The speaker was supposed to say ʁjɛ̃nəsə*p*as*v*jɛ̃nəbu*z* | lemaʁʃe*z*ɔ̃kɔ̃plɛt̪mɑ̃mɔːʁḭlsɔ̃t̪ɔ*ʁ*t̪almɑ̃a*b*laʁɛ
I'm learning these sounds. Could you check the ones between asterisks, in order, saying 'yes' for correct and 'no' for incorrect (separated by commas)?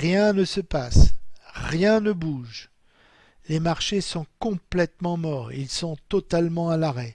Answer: yes, no, no, no, no, no